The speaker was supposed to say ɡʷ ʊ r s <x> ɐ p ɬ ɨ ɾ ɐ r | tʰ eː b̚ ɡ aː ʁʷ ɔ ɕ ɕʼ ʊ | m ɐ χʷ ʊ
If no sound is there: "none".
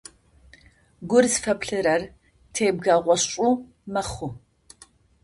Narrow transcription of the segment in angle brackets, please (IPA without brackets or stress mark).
f